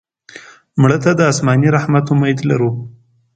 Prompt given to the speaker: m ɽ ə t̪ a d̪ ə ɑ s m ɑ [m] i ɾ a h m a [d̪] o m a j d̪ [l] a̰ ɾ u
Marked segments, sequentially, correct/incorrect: incorrect: n, incorrect: t̪, correct

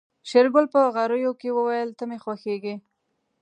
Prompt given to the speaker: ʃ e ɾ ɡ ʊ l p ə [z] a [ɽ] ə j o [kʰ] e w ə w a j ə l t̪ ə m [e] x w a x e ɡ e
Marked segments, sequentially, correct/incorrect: incorrect: ɣ, incorrect: ɾ, incorrect: k, correct

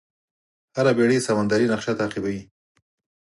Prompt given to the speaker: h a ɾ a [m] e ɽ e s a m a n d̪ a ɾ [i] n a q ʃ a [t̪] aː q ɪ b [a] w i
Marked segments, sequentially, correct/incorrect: incorrect: b, correct, correct, correct

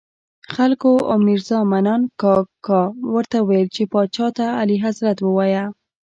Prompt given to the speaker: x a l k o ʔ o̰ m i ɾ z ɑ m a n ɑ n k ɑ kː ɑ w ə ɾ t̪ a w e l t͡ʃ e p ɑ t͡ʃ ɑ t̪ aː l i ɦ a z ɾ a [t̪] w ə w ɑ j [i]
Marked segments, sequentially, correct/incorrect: correct, incorrect: a

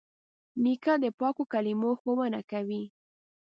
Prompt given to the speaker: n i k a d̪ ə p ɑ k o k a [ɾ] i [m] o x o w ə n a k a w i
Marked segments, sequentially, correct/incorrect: incorrect: l, correct

